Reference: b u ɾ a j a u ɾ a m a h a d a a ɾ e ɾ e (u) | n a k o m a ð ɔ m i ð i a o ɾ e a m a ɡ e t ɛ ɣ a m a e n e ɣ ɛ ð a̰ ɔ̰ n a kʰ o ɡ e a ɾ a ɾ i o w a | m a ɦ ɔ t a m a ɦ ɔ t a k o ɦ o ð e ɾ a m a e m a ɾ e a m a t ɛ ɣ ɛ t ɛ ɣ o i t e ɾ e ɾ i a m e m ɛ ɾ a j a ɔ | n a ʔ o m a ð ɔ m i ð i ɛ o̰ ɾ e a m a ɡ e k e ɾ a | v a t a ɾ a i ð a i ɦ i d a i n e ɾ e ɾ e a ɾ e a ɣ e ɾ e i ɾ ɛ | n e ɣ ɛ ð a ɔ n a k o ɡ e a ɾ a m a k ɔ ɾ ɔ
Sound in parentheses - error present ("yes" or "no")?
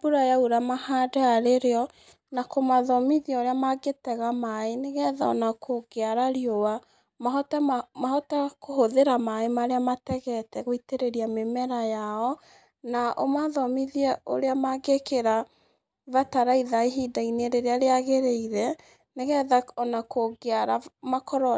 yes